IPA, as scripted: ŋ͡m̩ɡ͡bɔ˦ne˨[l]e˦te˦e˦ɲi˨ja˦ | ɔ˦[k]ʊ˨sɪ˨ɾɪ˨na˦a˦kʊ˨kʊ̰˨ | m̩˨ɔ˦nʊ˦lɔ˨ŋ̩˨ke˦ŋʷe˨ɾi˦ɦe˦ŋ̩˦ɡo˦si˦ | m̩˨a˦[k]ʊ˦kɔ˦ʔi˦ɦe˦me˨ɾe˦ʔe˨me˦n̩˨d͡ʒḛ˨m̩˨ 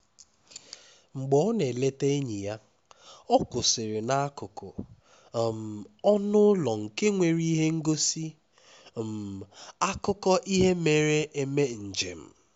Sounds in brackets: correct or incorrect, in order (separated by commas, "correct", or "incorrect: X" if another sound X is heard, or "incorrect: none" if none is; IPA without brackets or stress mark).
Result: correct, correct, correct